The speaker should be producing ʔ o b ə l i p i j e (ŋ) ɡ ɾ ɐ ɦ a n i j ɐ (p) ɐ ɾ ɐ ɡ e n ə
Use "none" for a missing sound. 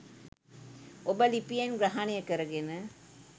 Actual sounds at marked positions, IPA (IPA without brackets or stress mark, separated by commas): n, k